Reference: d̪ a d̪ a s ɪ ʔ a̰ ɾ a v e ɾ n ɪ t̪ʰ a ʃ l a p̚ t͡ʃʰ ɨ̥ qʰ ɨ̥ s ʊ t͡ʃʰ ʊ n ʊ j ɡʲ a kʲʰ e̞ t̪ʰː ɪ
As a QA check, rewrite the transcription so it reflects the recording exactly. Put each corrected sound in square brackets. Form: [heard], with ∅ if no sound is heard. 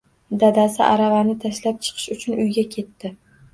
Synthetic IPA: d̪ a d̪ a s ɪ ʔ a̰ ɾ a v [a] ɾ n ɪ t̪ʰ a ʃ l a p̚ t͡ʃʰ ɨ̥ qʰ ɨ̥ [ʃ] ʊ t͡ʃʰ ʊ n ʊ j ɡʲ a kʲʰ e̞ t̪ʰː ɪ